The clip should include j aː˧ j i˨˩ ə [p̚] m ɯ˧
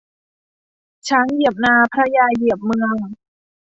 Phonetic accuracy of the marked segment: correct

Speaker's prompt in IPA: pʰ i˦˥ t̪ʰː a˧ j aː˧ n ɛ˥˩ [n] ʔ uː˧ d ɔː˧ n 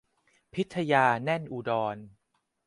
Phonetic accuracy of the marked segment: correct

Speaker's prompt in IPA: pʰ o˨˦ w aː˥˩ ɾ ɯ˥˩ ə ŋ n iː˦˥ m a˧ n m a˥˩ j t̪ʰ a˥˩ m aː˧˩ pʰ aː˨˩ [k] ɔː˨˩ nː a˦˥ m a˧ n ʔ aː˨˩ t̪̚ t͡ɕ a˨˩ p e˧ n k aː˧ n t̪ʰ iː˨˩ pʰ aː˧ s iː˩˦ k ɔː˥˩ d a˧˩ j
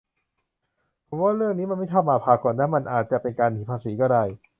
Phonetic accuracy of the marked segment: correct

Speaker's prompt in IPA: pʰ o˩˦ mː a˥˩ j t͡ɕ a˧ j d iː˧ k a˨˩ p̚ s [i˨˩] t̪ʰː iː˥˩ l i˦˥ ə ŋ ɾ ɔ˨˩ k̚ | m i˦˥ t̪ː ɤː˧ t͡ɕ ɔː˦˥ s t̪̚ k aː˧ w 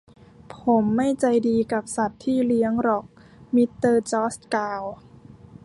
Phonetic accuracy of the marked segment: incorrect: a˨˩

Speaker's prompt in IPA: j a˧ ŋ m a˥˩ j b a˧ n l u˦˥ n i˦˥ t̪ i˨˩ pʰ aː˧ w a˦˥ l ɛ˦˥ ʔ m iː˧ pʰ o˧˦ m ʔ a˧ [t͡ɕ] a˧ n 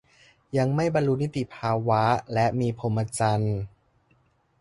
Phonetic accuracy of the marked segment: correct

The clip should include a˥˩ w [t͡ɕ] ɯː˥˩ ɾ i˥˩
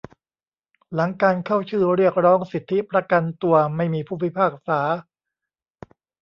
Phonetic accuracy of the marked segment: incorrect: t͡ɕʰ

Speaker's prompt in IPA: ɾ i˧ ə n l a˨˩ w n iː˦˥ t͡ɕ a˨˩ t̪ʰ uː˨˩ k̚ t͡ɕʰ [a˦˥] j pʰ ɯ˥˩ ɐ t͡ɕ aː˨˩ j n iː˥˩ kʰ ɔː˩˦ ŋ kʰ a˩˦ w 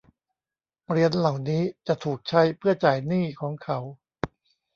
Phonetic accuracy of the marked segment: correct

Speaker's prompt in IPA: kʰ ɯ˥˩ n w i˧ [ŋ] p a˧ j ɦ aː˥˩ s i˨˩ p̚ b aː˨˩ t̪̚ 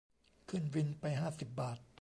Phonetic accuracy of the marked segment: incorrect: n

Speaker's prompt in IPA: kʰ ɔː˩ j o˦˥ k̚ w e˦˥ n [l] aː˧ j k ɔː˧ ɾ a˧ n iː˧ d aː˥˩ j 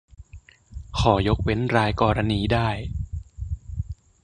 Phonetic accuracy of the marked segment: incorrect: ɾ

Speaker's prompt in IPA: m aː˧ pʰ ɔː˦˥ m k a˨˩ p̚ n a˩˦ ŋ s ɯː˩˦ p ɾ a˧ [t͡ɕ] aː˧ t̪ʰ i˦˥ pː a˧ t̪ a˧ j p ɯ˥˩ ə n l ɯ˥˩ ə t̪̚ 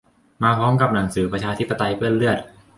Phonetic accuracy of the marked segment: incorrect: t͡ɕʰ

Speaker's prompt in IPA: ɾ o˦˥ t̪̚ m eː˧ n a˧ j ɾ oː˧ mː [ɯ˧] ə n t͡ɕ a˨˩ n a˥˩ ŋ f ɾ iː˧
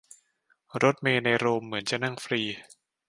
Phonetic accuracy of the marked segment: incorrect: ɯ˩˦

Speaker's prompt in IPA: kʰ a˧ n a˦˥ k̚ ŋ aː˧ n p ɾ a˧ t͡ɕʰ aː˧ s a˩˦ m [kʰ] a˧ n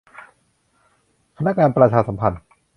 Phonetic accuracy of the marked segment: incorrect: pʰ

